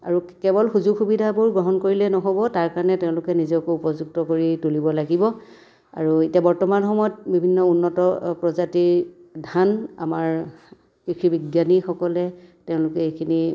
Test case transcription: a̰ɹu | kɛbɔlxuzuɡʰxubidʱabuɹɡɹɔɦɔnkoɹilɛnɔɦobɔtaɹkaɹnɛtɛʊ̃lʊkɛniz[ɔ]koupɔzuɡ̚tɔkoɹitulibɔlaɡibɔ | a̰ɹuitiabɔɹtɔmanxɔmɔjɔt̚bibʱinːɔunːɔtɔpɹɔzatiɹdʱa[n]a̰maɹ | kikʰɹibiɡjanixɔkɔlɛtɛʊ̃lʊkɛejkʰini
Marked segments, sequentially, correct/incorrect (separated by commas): correct, correct